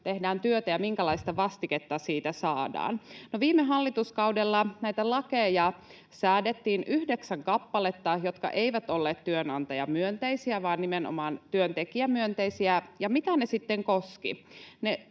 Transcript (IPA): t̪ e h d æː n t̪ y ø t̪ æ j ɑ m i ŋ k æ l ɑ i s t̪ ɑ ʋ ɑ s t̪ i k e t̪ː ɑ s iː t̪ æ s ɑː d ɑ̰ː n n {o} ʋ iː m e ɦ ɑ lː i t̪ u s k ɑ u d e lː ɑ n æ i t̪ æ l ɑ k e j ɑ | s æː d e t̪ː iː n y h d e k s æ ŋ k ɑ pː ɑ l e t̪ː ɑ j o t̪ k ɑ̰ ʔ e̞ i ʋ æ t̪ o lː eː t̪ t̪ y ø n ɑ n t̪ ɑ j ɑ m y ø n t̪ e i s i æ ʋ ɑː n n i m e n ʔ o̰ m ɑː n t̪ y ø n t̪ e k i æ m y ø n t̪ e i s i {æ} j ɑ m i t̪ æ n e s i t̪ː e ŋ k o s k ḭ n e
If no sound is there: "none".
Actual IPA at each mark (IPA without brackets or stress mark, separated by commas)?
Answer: o, æ